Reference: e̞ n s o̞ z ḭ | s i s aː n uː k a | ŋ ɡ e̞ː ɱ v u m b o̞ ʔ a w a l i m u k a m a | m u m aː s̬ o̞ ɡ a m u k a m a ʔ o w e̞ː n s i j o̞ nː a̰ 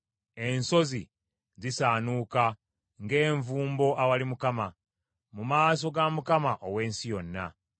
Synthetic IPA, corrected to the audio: e̞ n s o̞ z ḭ | z i s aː n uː k a | ŋ ɡ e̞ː ɱ v uː m b o̞ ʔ a w a l i m u k a m a | m u m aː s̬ o̞ ɡ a m u k a m a ʔ o w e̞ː n s i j o̞ nː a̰